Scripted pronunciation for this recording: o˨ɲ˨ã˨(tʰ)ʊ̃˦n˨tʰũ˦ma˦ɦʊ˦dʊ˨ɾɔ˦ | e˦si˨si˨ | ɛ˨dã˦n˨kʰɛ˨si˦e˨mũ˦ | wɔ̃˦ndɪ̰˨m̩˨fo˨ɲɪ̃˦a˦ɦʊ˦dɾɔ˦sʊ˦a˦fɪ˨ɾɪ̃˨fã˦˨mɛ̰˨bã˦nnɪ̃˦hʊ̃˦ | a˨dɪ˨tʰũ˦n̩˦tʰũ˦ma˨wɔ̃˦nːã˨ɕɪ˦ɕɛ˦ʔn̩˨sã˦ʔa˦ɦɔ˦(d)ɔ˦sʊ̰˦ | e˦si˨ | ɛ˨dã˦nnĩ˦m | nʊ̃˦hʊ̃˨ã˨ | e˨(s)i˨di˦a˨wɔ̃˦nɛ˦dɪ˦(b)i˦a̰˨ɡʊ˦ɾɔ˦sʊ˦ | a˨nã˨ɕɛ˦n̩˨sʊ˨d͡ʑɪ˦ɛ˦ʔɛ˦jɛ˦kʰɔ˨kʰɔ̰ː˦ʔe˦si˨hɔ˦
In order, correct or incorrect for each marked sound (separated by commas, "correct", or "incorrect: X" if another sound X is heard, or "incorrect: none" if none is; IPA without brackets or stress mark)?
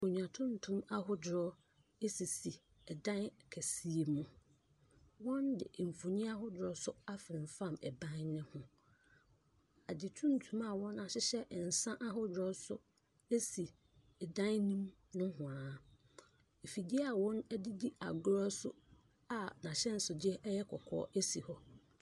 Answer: correct, correct, incorrect: f, incorrect: d